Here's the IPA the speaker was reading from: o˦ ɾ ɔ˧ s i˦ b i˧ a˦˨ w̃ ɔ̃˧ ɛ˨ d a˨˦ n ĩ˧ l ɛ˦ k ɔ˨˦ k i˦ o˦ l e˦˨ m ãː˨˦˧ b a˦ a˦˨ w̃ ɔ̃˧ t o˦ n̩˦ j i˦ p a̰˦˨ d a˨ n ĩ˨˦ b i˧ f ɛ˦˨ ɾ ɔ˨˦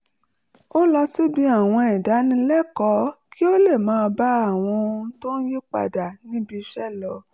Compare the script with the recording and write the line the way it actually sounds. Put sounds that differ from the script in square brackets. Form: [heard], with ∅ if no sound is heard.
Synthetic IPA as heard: o˦ [l] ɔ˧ s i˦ b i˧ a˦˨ w̃ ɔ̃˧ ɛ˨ d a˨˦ n ĩ˧ l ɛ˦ k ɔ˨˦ k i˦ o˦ l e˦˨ m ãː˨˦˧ b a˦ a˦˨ w̃ ɔ̃˧ t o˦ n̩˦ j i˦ [k͡p] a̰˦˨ d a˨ n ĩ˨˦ b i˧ [ʃ] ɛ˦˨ [l] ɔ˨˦